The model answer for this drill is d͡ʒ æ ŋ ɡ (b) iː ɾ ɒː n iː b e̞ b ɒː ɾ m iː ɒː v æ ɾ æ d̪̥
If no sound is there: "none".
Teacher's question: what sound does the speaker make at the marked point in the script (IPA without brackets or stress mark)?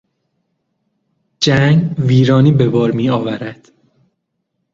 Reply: v